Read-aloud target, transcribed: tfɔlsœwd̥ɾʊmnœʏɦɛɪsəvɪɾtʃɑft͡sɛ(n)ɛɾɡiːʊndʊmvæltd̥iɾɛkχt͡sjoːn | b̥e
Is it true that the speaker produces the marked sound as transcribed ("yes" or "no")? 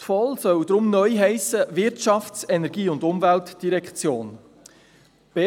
yes